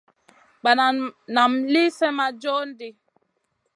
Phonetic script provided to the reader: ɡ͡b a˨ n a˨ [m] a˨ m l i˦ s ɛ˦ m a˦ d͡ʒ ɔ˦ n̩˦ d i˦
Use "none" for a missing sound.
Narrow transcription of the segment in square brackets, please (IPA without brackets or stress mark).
n